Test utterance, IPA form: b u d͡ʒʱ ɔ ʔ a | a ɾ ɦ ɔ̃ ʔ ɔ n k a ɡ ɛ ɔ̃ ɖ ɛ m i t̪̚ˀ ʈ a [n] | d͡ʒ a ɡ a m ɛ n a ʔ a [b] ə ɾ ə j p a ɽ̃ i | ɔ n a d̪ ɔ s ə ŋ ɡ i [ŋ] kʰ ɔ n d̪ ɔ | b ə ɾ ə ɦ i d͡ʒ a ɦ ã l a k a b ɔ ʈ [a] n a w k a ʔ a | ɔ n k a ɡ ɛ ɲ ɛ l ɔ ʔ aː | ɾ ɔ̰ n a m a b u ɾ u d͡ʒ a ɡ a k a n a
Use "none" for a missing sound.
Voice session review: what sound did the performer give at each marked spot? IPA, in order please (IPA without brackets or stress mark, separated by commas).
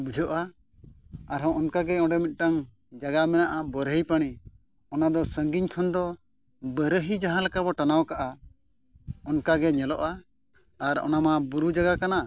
ŋ, b, ɲ, a